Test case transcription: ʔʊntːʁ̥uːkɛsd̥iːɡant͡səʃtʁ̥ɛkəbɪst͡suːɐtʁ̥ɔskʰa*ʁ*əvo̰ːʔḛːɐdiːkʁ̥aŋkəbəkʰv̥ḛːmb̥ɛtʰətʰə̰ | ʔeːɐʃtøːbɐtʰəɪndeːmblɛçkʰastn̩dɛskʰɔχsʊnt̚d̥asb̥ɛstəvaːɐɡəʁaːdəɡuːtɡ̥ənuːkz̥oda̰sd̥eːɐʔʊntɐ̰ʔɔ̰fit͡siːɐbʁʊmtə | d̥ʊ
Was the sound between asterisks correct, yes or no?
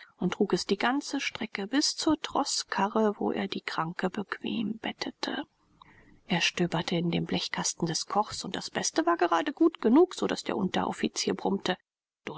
yes